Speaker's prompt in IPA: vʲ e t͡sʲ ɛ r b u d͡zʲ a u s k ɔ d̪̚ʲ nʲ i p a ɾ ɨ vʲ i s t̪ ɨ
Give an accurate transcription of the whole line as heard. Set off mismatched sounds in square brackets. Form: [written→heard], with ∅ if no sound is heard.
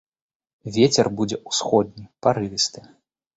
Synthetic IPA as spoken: vʲ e t͡sʲ ɛ r b u d͡zʲ [a→ɛ] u s [k→x] ɔ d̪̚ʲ nʲ i p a ɾ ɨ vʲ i s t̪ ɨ